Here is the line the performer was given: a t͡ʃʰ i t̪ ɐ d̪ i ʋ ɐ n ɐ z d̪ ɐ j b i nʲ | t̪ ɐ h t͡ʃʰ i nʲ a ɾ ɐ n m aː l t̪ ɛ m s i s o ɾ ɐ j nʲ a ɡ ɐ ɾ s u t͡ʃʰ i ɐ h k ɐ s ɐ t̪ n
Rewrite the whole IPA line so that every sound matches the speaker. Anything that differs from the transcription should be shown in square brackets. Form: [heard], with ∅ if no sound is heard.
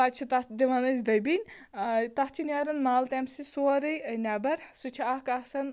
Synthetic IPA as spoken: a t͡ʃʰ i t̪ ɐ d̪ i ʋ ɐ n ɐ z d̪ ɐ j b i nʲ | t̪ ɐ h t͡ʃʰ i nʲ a ɾ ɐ n m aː l t̪ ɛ m s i s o ɾ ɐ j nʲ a [b] ɐ ɾ s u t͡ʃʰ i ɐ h k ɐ s ɐ [∅] n